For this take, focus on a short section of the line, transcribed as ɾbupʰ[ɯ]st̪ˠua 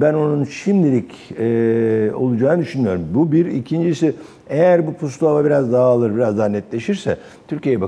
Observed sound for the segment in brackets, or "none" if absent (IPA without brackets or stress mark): u